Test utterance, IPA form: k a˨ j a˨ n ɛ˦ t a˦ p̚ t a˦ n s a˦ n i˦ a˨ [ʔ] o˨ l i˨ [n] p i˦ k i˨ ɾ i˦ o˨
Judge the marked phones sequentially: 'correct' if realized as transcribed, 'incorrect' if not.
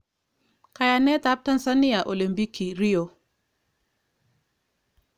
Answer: correct, incorrect: m

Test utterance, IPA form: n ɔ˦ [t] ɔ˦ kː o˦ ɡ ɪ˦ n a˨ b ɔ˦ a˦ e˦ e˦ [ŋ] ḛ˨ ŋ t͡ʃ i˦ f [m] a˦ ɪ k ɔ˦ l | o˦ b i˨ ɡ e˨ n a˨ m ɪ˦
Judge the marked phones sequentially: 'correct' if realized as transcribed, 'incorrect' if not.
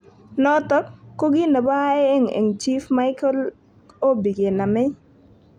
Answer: correct, correct, correct

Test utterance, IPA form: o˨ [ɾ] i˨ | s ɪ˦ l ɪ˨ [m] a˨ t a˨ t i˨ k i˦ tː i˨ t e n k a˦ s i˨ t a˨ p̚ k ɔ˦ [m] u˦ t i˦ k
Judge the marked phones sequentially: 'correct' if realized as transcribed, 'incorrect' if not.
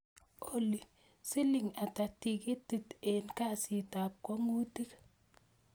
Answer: incorrect: l, incorrect: ŋ, incorrect: ŋ

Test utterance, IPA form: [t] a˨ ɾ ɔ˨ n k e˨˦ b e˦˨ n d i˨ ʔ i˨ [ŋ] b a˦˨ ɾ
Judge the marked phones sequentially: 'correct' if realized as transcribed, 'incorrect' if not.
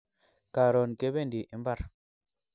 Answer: incorrect: k, incorrect: m

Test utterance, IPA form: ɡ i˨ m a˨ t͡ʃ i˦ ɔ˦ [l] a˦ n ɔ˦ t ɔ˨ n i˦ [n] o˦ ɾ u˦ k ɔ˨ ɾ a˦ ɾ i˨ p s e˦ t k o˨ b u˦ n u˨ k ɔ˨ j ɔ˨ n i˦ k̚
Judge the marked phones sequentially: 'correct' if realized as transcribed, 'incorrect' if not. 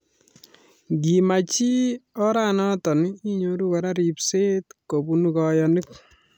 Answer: incorrect: ɾ, incorrect: ɲ

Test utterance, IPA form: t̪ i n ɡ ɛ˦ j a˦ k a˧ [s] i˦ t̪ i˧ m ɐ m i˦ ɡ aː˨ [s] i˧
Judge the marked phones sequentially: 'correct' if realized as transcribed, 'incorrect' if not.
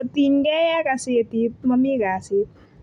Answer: correct, correct

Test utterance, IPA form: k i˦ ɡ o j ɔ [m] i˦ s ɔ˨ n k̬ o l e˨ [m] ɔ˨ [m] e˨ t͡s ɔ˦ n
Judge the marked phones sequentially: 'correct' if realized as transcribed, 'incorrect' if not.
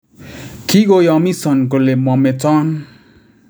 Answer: correct, correct, correct

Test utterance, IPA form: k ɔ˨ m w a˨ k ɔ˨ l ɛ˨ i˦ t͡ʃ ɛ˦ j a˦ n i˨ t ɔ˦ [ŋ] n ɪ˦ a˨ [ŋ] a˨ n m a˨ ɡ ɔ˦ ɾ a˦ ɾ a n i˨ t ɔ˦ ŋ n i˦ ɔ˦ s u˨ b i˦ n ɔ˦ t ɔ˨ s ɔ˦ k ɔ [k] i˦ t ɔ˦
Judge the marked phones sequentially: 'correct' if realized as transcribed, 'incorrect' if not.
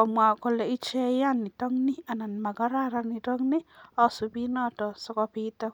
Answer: correct, incorrect: n, incorrect: p

